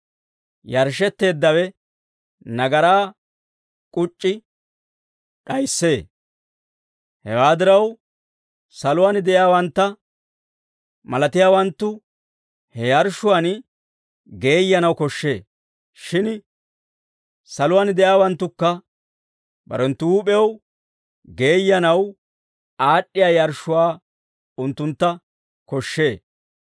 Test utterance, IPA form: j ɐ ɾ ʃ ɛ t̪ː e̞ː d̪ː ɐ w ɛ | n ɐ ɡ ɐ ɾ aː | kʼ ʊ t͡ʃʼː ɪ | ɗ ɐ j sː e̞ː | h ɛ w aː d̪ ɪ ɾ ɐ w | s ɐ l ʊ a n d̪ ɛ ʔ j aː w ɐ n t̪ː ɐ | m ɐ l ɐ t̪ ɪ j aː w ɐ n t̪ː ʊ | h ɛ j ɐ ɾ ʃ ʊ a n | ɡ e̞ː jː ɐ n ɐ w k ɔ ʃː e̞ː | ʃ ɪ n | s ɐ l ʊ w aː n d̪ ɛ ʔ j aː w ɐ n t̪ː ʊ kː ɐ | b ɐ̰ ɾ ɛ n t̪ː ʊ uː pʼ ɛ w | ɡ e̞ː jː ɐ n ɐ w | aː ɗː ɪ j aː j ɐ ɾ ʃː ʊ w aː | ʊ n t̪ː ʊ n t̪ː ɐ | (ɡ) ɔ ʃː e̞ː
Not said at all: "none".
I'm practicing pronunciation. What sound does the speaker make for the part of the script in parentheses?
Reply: k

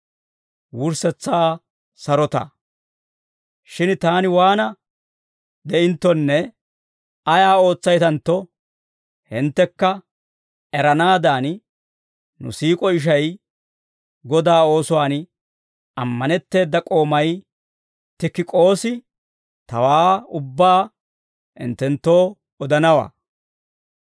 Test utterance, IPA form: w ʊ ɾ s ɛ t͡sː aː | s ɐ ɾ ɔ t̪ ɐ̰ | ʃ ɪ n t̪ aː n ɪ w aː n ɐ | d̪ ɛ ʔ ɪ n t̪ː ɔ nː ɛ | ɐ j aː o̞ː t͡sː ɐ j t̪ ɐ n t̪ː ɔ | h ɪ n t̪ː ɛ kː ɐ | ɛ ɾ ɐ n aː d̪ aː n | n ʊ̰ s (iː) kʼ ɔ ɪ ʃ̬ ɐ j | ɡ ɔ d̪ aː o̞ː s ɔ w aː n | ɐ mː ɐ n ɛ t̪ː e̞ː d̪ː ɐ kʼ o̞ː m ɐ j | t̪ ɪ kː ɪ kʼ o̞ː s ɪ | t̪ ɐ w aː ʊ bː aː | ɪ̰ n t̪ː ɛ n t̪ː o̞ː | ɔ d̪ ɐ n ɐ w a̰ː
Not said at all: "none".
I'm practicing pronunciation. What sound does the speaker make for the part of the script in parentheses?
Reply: iː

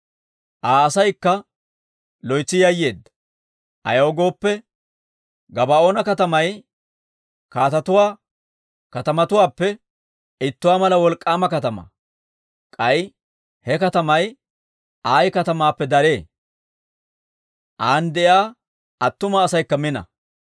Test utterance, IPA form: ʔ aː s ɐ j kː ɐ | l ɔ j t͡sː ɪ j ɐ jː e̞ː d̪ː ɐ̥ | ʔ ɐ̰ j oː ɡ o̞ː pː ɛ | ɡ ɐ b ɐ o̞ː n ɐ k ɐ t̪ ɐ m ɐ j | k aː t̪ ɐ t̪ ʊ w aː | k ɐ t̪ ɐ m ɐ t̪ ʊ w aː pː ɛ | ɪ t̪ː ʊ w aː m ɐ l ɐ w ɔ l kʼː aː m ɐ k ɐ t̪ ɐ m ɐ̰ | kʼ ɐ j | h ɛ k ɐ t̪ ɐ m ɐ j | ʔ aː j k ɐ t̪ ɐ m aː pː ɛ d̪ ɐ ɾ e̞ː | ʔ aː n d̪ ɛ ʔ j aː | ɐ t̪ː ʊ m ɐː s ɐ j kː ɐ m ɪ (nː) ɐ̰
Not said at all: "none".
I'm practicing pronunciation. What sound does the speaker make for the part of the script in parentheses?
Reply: n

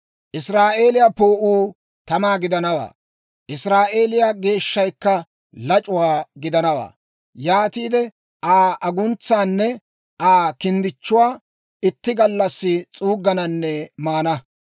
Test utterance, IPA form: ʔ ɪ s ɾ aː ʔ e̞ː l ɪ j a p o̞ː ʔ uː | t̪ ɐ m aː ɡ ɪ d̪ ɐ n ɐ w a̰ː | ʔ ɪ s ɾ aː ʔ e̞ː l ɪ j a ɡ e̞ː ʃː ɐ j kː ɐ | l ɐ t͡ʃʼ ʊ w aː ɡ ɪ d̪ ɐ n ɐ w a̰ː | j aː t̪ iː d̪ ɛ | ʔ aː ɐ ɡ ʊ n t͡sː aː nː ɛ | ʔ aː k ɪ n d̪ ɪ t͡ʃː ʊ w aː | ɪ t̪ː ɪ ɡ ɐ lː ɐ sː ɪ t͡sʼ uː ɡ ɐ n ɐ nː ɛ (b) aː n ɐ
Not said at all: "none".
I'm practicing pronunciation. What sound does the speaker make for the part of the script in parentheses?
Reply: m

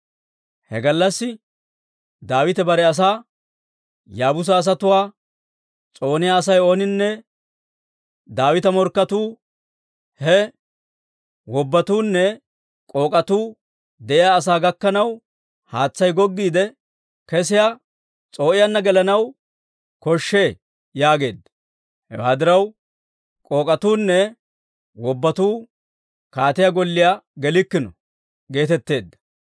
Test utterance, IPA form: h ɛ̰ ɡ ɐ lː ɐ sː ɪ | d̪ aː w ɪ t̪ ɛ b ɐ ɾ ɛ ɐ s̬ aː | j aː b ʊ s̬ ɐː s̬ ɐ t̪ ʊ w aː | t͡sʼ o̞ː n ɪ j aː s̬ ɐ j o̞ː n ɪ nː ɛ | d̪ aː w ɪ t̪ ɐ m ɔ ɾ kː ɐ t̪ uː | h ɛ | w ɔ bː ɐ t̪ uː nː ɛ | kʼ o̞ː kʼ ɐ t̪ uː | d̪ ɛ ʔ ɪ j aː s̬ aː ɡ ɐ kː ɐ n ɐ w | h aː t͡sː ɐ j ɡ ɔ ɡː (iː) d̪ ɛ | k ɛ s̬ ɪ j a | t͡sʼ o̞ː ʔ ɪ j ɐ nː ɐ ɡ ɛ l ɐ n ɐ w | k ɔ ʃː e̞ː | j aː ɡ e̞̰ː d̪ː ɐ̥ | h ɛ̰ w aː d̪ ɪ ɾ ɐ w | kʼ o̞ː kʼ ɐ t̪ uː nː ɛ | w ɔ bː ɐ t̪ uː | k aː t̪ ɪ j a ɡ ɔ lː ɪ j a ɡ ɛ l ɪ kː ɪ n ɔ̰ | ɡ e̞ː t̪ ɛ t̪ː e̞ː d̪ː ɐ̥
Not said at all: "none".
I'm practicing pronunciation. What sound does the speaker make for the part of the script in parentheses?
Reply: iː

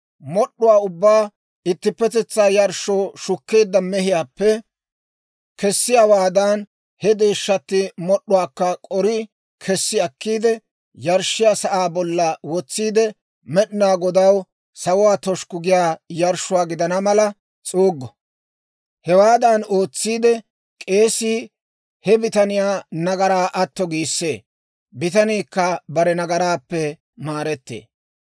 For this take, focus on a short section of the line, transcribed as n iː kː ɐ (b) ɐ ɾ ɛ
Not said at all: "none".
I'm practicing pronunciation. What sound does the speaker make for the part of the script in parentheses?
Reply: b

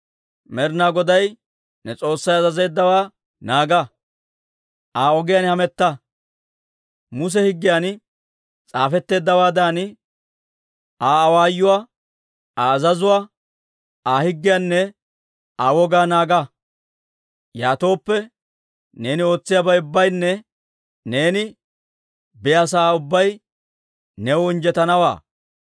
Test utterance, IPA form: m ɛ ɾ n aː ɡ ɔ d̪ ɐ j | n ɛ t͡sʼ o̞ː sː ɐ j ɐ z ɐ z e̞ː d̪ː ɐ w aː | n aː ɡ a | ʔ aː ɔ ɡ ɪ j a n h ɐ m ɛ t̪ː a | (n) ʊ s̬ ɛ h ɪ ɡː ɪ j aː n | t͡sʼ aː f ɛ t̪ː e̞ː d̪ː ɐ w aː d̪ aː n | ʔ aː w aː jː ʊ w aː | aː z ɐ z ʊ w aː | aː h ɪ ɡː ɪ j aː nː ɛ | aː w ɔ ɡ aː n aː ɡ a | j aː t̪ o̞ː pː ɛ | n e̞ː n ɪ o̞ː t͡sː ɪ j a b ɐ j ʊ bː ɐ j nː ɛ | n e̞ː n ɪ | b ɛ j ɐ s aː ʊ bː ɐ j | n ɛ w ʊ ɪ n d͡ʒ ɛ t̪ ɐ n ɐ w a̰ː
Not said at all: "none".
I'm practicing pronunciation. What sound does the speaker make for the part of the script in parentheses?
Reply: m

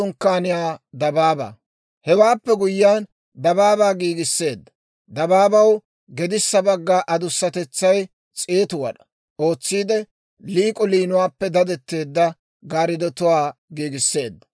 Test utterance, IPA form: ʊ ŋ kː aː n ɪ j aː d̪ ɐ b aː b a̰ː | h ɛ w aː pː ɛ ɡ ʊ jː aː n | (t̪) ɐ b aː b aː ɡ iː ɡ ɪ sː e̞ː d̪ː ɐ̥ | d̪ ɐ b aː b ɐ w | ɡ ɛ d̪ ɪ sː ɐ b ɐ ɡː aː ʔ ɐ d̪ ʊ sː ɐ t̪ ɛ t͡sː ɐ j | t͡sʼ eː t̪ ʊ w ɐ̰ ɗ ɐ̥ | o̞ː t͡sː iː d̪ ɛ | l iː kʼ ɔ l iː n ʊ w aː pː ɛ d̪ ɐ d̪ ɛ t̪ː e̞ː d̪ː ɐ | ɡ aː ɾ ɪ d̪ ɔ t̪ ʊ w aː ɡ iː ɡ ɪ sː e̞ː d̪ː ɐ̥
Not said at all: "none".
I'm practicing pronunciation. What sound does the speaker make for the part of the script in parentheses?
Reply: d̪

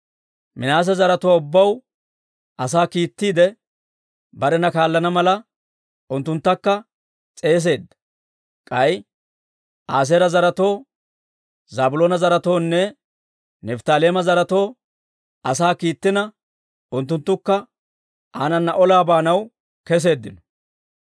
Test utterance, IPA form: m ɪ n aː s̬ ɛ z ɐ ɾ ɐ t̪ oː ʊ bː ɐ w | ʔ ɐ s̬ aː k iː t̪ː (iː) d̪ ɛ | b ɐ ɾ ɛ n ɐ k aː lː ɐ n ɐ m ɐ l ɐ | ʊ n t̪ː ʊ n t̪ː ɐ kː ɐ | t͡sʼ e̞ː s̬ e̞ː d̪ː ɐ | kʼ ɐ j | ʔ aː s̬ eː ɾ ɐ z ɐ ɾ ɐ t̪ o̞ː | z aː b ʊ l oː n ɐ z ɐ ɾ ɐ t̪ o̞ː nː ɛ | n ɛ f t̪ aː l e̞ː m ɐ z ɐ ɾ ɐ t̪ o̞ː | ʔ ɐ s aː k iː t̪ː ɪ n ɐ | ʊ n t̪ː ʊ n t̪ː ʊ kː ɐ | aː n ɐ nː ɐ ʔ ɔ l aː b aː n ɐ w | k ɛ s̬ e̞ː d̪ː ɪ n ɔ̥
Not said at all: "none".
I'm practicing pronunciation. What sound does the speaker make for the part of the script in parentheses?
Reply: iː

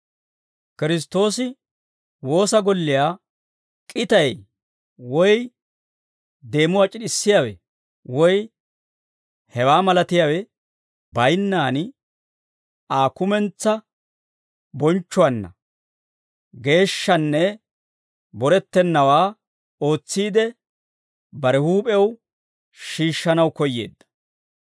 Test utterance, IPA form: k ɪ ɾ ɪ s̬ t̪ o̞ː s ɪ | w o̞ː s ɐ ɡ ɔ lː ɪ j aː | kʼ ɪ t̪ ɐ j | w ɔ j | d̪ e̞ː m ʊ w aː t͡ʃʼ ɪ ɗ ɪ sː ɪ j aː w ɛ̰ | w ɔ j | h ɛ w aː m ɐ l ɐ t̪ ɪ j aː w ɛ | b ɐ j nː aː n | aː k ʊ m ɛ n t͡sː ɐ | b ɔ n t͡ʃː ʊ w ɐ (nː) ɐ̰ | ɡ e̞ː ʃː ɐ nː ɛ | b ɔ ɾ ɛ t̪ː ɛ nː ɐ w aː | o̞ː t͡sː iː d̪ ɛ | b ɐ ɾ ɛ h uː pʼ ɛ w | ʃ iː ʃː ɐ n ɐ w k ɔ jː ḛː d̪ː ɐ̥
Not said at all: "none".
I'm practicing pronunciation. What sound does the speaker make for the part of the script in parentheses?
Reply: nː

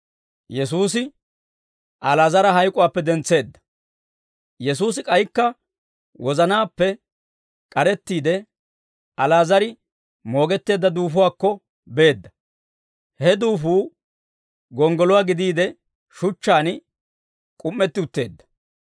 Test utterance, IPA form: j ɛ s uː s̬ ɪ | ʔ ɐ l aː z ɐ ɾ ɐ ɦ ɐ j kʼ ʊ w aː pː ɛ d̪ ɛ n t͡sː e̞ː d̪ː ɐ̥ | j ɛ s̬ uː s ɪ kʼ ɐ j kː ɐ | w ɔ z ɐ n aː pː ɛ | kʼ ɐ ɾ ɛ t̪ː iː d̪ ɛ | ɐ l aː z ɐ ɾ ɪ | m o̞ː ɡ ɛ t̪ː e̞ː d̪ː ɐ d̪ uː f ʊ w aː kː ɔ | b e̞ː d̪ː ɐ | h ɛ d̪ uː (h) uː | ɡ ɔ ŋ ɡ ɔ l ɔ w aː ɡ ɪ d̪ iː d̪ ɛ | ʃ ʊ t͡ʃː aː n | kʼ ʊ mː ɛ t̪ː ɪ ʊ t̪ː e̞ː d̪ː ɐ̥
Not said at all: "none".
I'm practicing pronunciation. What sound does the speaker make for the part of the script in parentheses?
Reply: f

